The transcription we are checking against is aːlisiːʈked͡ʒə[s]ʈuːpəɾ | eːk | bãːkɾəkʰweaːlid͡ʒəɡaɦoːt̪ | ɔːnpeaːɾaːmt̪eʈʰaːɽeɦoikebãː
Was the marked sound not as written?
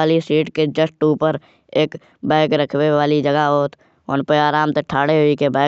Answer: no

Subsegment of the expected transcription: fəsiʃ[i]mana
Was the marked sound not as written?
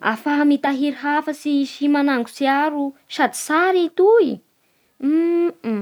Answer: no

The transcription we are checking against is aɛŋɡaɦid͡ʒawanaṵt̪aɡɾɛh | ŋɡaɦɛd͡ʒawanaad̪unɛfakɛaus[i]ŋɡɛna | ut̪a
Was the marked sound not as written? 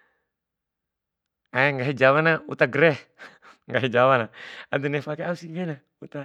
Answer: no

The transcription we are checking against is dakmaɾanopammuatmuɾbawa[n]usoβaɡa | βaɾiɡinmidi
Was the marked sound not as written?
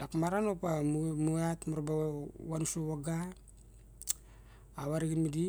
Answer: no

